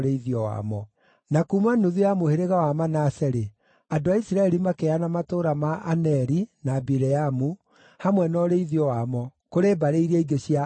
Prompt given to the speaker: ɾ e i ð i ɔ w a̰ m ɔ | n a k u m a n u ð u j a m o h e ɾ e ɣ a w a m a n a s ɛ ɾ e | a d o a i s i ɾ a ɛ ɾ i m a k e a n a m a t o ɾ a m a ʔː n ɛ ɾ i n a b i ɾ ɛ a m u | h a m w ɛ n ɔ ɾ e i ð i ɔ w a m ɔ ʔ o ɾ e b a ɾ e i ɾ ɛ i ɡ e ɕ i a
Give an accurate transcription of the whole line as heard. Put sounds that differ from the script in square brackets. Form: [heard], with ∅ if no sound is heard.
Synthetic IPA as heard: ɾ e i ð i ɔ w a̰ m ɔ | n a k u m a n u ð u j a m o h e ɾ e ɣ a w a m a n a s ɛ ɾ e | a d o a i s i ɾ a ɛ ɾ i m a k e a n a m a t o ɾ a m a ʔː n ɛ ɾ i n a b i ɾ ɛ a m u | h a m w ɛ n ɔ ɾ e i ð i ɔ w a m ɔ [k] o ɾ e b a ɾ e i ɾ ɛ i ɡ e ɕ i a